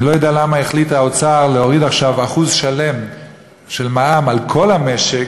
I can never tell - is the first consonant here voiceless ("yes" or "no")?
no